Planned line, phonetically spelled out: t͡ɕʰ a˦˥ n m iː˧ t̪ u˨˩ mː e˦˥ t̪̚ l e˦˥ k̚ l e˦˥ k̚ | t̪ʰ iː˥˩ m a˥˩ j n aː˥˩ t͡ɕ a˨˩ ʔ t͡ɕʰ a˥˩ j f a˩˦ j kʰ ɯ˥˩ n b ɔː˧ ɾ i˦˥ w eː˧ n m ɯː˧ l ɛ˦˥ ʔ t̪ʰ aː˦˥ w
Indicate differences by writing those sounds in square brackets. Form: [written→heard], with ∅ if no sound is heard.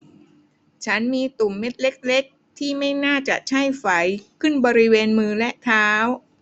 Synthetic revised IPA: t͡ɕʰ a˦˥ n m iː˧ t̪ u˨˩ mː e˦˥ t̪̚ l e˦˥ k̚ l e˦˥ k̚ | t̪ʰ iː˥˩ m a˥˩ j n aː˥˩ t͡ɕ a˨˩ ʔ t͡ɕʰ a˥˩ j f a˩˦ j kʰ ɯ˥˩ n b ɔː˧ ɾ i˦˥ w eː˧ n m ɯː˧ l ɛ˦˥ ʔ t̪ʰ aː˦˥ w